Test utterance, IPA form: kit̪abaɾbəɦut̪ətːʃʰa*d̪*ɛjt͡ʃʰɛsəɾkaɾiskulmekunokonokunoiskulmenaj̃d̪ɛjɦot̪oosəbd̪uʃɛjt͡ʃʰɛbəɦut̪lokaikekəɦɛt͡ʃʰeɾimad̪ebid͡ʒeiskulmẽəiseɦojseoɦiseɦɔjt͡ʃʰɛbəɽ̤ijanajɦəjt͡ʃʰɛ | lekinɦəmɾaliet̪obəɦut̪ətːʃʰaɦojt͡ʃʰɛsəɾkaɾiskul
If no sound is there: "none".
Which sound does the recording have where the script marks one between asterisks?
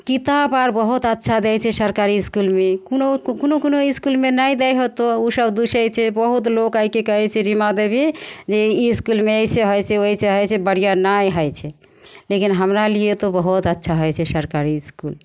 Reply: d̪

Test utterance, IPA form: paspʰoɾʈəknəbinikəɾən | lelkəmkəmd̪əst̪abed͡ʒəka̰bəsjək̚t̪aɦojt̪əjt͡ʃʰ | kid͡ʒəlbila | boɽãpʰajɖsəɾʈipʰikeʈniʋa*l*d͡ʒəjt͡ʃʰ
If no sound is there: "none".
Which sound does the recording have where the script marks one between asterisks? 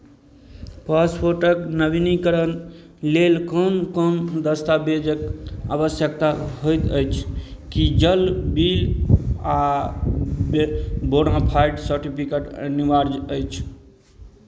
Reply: ɾ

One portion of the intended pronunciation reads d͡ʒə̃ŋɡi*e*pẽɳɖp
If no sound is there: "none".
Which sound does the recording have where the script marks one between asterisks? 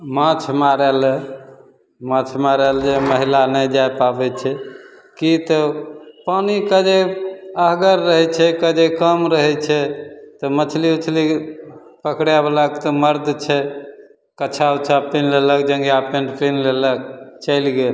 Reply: a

